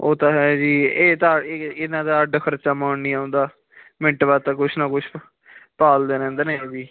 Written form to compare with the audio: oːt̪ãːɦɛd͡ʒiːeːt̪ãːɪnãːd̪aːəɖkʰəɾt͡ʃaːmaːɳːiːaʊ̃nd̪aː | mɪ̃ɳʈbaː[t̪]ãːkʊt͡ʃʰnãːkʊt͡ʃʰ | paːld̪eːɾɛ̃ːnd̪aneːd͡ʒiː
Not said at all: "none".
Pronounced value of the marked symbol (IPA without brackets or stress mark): t̪